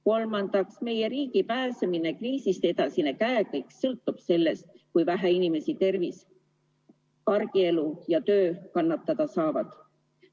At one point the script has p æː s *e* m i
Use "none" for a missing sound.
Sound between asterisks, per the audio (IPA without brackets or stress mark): e